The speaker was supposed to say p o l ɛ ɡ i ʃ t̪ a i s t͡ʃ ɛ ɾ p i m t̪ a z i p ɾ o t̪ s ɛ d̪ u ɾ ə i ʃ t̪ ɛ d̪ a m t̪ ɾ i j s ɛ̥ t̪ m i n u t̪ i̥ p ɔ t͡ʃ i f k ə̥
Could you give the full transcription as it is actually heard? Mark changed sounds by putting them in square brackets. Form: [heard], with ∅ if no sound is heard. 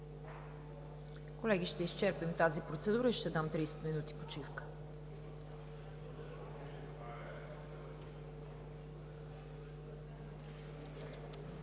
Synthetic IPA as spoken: [k] o l ɛ ɡ i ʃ t̪ [ɛ] i s t͡ʃ ɛ ɾ p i m t̪ a z i p ɾ o t̪ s ɛ d̪ u ɾ ə i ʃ t̪ ɛ d̪ a m t̪ ɾ i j s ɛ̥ t̪ m i n u t̪ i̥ p [o] t͡ʃ i f k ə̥